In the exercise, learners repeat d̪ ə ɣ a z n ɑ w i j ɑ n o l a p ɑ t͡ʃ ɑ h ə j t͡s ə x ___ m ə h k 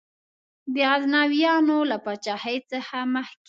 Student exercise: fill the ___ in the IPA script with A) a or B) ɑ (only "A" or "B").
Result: A